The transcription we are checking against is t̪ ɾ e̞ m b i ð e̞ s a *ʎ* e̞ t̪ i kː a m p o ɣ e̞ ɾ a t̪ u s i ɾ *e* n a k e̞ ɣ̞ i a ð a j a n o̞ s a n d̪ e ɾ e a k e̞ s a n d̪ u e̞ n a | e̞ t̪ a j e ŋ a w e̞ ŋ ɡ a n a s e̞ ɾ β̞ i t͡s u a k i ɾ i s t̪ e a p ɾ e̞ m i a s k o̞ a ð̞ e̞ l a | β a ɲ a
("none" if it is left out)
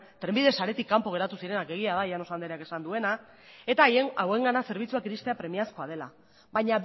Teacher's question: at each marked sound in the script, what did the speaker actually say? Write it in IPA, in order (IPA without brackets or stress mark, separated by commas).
ɾ, e